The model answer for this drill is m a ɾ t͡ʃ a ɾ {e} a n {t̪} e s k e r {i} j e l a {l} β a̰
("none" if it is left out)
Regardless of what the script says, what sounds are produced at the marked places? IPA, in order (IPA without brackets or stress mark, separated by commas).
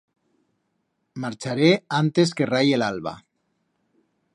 e, t̪, a, l